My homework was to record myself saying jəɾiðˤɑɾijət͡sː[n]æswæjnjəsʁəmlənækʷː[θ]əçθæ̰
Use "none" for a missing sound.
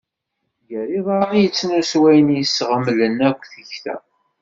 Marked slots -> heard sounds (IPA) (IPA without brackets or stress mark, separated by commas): n, θ